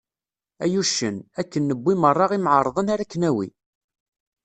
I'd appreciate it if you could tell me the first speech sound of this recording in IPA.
æ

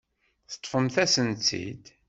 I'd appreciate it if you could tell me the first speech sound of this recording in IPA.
θ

